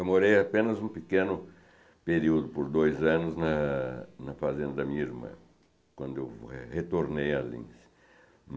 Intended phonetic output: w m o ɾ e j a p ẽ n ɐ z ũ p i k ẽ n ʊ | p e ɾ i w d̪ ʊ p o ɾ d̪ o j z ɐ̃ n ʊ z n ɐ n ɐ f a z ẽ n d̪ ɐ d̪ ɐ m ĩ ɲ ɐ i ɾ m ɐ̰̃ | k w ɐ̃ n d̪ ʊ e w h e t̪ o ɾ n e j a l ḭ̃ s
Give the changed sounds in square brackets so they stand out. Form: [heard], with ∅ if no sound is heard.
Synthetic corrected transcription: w m o ɾ e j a p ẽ n ɐ z ũ p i k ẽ n ʊ | p e ɾ i w d̪ ʊ p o ɾ d̪ o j z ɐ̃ n ʊ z n ɐ n ɐ f a z ẽ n d̪ ɐ d̪ ɐ m ĩ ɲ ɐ i ɾ m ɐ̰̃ | k w ɐ̃ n d̪ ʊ e w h e t̪ o ɾ n e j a l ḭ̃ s